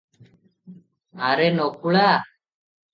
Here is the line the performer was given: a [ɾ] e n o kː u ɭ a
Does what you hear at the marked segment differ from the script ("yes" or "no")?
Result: no